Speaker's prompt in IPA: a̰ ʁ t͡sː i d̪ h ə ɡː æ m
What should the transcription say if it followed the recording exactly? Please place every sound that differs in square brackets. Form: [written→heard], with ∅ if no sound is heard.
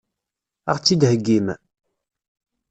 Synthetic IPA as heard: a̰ ʁ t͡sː i d̪ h ə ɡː [æ→i] m